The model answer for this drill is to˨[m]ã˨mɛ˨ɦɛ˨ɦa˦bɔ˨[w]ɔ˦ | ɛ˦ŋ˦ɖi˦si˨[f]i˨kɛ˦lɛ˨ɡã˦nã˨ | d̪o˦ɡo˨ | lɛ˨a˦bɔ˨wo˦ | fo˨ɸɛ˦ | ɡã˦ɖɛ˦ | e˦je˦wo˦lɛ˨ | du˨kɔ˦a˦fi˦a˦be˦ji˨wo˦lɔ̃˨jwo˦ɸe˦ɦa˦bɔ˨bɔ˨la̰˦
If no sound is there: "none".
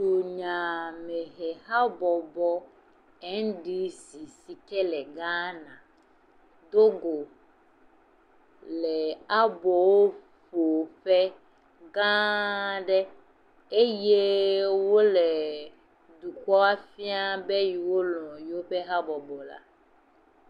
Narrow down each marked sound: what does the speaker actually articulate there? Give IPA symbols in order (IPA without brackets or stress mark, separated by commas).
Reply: ɲ, b, s